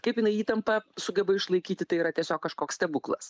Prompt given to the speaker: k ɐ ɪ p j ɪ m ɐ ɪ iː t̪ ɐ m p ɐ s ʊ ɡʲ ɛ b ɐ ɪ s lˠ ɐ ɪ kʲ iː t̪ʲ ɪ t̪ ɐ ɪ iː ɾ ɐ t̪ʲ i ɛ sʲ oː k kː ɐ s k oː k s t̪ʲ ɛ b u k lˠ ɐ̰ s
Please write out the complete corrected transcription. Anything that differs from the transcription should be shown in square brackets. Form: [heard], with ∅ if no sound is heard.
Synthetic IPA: k ɐ ɪ p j ɪ [n] ɐ ɪ iː t̪ ɐ m p ɐ s ʊ ɡʲ ɛ b ɐ ɪ [ʃ] lˠ ɐ ɪ kʲ iː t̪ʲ ɪ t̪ ɐ ɪ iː ɾ ɐ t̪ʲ i ɛ sʲ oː k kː ɐ [ʃ] k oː k s t̪ʲ ɛ b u k lˠ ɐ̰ s

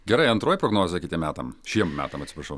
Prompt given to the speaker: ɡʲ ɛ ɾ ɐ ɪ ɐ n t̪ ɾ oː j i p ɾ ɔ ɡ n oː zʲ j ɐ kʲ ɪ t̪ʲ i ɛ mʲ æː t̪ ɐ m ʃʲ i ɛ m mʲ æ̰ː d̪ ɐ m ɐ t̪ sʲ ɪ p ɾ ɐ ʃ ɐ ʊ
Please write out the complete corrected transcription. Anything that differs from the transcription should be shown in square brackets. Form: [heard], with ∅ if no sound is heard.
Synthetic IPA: ɡʲ ɛ ɾ ɐ ɪ ɐ n t̪ ɾ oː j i p ɾ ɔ ɡ n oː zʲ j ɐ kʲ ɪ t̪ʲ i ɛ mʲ æː t̪ ɐ m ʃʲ i ɛ m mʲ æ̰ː [t̪] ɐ m ɐ t̪ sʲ ɪ p ɾ ɐ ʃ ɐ ʊ

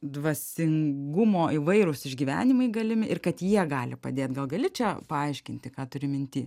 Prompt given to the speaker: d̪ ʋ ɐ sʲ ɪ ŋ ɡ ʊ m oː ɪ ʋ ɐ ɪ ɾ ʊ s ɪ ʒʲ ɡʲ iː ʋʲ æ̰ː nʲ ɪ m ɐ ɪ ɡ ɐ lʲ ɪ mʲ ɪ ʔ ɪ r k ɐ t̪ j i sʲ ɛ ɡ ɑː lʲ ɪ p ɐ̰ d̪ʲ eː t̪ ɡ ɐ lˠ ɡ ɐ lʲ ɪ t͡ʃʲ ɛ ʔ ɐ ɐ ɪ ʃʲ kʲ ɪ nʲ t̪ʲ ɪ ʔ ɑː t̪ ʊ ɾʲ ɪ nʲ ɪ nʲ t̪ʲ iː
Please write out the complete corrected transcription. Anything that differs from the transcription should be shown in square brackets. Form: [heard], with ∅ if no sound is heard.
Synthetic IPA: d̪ ʋ ɐ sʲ ɪ ŋ ɡ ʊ m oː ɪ ʋ ɐ ɪ ɾ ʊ s ɪ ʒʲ ɡʲ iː ʋʲ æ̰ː nʲ ɪ m ɐ ɪ ɡ ɐ lʲ ɪ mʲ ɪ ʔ ɪ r k ɐ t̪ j i [∅] ɛ ɡ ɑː lʲ ɪ p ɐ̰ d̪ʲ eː t̪ ɡ ɐ lˠ ɡ ɐ lʲ ɪ t͡ʃʲ ɛ [p] ɐ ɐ ɪ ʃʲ kʲ ɪ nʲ t̪ʲ ɪ [k] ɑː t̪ ʊ ɾʲ ɪ [mʲ] ɪ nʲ t̪ʲ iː

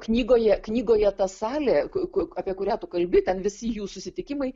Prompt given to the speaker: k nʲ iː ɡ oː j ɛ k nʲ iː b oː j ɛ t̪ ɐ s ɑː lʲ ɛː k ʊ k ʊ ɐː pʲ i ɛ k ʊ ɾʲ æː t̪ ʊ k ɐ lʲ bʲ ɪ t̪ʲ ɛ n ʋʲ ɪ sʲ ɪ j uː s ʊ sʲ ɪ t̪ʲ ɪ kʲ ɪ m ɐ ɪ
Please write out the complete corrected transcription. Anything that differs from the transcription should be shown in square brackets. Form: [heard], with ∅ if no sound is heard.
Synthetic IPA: k nʲ iː ɡ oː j ɛ k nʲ iː [ɡ] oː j ɛ t̪ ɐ s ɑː lʲ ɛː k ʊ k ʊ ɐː pʲ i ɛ k ʊ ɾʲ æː t̪ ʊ k ɐ lʲ bʲ ɪ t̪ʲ ɛ n ʋʲ ɪ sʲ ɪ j uː s ʊ sʲ ɪ t̪ʲ ɪ kʲ ɪ m ɐ ɪ

